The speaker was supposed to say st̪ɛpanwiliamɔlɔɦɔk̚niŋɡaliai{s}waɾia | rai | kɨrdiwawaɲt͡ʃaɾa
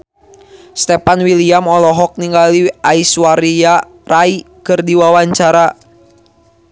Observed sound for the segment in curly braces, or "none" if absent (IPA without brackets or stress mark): s